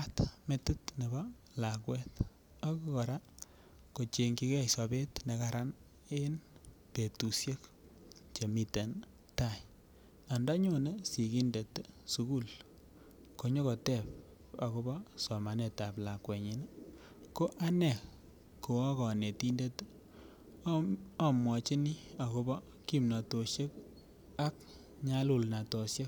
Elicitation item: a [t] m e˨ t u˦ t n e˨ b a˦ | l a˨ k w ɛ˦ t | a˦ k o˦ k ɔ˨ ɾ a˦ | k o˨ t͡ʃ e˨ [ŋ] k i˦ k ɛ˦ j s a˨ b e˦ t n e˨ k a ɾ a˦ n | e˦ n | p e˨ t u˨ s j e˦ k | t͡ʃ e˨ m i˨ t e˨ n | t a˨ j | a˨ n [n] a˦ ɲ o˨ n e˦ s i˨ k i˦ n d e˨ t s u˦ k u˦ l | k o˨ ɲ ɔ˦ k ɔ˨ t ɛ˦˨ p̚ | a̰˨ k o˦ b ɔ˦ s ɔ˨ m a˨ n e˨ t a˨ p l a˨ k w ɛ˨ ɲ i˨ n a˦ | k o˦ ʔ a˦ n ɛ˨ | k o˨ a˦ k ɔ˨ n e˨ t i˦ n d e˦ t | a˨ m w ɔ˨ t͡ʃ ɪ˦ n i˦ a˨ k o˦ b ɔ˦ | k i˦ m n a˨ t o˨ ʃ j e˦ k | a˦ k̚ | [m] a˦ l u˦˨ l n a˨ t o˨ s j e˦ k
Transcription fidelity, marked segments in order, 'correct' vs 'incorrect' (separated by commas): correct, correct, incorrect, incorrect